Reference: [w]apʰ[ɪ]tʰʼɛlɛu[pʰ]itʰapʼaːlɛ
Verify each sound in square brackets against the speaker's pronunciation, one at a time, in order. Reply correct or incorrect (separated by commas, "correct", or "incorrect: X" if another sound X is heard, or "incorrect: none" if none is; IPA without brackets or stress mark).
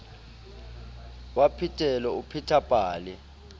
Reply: correct, incorrect: i, correct